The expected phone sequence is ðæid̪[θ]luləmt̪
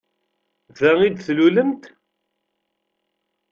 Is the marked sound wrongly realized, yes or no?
no